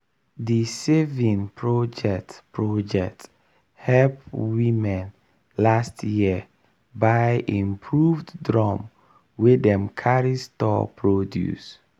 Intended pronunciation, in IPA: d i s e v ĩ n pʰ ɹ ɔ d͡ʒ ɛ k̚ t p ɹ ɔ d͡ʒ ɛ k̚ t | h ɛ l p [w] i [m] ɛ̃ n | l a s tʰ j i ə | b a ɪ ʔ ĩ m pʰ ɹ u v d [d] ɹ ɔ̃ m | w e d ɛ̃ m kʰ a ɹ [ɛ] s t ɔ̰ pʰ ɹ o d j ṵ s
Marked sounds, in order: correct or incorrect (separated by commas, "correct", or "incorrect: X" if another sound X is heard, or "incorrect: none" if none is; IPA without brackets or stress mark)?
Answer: correct, correct, correct, incorrect: i